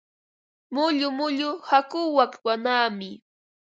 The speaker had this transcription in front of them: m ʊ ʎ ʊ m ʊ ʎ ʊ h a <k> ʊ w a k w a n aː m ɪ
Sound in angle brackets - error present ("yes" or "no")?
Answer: no